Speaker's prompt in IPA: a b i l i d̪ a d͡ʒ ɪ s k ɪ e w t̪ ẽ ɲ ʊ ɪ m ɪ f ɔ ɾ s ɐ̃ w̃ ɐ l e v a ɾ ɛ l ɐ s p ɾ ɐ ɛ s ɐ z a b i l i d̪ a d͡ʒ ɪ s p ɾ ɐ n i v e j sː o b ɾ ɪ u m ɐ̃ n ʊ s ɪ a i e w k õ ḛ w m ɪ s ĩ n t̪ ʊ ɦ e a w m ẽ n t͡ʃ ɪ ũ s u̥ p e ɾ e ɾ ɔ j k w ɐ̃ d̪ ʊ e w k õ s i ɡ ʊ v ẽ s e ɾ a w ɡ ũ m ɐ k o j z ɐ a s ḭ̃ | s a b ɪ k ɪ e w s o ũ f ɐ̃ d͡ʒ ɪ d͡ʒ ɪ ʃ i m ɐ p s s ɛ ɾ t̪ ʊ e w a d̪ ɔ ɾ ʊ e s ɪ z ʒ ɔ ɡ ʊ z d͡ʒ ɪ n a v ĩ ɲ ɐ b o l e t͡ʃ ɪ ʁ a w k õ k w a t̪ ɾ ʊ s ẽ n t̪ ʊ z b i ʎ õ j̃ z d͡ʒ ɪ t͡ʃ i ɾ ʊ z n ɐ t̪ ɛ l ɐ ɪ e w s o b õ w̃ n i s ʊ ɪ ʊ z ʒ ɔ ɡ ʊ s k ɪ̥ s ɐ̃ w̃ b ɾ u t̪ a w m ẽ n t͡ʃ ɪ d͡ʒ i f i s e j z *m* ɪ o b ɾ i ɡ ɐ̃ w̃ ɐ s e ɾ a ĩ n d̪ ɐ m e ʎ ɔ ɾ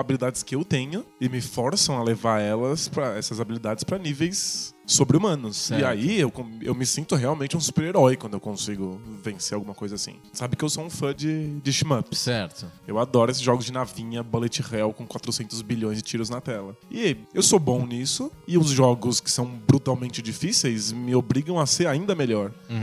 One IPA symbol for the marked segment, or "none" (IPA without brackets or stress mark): m